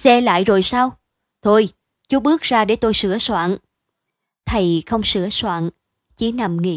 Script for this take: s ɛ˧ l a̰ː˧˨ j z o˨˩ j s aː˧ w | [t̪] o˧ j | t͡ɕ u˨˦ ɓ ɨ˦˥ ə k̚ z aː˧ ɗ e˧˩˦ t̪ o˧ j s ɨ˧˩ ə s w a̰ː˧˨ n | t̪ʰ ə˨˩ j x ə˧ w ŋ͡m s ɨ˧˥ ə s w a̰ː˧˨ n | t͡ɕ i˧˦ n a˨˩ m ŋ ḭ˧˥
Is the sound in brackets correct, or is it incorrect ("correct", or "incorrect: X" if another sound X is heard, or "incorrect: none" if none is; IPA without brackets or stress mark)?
incorrect: t̪ʰ